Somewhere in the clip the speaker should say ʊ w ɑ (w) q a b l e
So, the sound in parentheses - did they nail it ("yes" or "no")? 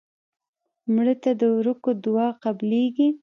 no